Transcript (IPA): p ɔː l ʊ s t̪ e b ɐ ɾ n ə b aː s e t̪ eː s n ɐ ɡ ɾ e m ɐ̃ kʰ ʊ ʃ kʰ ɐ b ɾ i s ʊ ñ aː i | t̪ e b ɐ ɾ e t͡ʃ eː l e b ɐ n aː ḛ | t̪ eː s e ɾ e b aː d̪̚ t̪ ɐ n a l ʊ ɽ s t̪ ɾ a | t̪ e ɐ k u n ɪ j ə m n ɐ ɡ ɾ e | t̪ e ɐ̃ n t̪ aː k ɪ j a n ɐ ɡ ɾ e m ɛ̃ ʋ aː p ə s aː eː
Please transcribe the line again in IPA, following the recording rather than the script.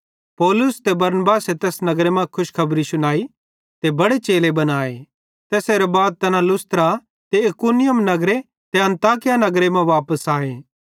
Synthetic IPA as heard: p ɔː l ʊ s t̪ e b ɐ ɾ n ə b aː s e t̪ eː s n ɐ ɡ ɾ e m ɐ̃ kʰ ʊ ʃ kʰ ɐ b ɾ i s ʊ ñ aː i | t̪ e b ɐ ɽ e t͡ʃ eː l e b ɐ n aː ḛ | t̪ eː s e ɾ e b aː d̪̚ t̪ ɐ n a l ʊ s t̪ ɾ a | t̪ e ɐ k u n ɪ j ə m n ɐ ɡ ɾ e | t̪ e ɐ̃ n t̪ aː k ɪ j a n ɐ ɡ ɾ e m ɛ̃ ʋ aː p ə s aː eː